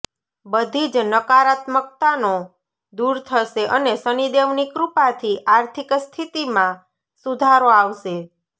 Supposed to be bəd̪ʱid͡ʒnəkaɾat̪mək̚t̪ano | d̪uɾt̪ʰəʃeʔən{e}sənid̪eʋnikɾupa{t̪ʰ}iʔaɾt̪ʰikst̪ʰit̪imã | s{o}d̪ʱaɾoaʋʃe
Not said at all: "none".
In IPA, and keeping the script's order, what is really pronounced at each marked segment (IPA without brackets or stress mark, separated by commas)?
e, t̪ʰ, u